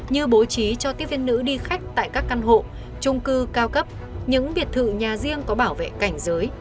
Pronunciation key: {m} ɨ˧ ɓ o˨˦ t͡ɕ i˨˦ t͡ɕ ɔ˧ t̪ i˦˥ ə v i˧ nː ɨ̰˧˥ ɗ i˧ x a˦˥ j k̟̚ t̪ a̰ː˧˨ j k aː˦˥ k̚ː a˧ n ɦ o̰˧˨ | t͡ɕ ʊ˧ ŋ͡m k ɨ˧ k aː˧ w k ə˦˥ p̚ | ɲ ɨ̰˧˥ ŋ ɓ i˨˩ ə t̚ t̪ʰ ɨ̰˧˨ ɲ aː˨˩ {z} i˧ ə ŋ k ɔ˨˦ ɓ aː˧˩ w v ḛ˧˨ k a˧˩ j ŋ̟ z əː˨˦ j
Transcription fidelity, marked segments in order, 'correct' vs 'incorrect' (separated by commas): incorrect, correct